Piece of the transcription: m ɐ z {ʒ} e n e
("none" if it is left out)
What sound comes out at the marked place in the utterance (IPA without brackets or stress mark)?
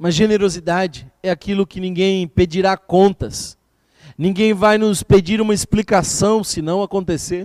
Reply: ʒ